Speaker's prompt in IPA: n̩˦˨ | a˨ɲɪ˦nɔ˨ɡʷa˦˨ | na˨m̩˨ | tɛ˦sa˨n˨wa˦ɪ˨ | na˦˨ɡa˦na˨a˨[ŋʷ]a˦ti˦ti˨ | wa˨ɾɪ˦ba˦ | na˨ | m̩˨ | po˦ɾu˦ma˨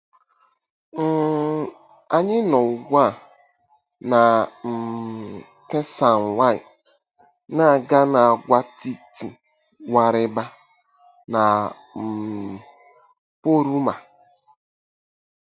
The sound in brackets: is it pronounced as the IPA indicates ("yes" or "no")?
no